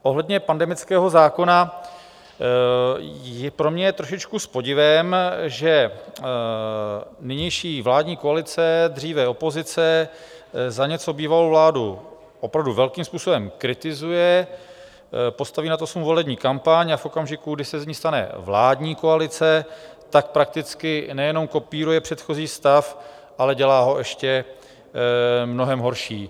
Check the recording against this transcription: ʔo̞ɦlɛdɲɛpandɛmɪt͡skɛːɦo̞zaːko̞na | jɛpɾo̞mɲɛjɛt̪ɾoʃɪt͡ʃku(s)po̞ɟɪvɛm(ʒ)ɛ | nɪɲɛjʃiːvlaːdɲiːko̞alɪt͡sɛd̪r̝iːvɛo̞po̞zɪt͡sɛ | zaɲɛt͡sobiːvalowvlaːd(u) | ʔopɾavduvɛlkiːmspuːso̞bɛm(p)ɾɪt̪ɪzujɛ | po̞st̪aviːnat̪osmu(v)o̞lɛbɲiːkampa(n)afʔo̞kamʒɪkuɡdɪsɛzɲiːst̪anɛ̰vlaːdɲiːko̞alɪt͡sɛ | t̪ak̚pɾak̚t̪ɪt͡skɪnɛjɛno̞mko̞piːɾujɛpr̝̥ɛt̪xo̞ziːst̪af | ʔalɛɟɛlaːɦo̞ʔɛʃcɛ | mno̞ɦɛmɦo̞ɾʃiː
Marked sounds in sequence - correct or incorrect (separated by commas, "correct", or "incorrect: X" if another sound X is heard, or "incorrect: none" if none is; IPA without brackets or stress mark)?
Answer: correct, correct, correct, incorrect: k, correct, incorrect: ɲ